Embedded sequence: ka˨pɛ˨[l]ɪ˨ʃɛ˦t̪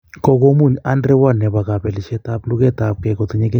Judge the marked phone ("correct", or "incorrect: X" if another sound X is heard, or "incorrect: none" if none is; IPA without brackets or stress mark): correct